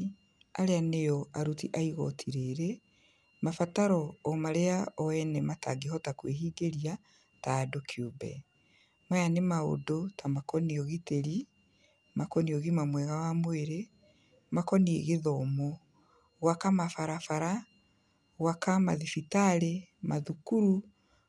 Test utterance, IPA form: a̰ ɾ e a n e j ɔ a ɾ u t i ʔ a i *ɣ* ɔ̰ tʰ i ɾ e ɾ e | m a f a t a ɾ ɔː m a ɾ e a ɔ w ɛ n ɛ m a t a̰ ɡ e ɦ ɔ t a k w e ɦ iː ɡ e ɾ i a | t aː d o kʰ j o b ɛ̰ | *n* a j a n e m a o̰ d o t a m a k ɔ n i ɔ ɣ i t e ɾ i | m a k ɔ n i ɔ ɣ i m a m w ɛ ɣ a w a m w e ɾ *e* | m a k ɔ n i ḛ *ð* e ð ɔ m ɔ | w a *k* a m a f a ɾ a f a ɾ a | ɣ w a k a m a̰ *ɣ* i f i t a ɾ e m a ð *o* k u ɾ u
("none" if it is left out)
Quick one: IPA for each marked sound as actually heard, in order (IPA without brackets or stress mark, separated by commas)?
ɣ, m, e, ɣ, k, ð, u